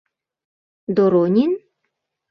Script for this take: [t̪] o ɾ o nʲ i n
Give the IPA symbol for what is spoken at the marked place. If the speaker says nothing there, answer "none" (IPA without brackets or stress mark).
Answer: d̪